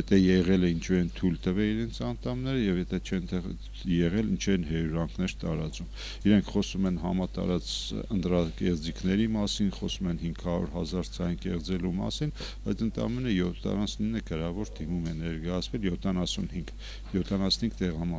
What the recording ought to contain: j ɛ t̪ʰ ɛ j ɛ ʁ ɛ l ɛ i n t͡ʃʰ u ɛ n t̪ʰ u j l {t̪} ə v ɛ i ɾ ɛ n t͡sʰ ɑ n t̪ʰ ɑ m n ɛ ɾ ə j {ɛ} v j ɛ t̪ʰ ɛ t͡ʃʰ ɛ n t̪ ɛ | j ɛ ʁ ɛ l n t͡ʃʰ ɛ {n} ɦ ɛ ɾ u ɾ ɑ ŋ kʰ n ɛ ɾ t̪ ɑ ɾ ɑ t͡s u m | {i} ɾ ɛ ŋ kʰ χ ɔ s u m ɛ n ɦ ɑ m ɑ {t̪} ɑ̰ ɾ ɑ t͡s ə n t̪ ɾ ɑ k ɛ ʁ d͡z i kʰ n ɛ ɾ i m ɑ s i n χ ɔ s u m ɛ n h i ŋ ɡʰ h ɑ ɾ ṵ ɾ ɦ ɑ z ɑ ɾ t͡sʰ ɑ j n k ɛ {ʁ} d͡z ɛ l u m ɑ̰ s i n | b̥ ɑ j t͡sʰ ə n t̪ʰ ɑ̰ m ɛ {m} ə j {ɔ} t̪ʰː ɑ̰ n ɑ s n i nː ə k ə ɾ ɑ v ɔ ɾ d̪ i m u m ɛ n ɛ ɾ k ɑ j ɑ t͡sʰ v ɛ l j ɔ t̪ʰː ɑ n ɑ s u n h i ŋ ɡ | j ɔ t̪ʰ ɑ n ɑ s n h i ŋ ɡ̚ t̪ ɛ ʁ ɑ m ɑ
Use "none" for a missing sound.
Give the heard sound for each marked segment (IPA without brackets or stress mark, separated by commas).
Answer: t̪, ɛ, n, i, t̪, ʁ, n, ɔ